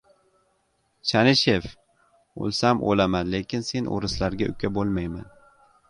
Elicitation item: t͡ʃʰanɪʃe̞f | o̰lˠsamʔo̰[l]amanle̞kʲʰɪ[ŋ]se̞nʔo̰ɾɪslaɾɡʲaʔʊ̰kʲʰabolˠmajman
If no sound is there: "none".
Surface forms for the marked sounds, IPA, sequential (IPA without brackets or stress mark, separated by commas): l, n